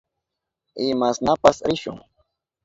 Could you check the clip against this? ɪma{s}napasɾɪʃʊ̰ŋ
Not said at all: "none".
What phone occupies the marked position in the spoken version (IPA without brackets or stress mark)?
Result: s